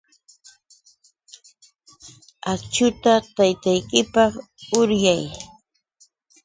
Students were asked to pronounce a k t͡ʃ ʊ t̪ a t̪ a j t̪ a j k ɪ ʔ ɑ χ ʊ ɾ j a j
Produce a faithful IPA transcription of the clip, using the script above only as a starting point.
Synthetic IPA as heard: a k t͡ʃ ʊ t̪ a t̪ a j t̪ a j k ɪ p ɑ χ ʊ ɾ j a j